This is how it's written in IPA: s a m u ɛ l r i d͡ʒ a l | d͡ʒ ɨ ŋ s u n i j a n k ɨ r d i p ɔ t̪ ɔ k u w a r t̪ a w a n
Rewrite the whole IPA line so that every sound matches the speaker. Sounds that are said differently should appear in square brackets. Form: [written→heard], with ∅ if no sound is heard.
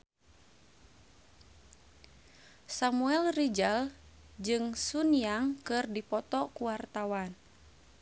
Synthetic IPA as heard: s a m u ɛ l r i d͡ʒ a l | d͡ʒ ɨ ŋ s u n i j a [n→ŋ] k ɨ r d i p ɔ t̪ ɔ k u w a r t̪ a w a n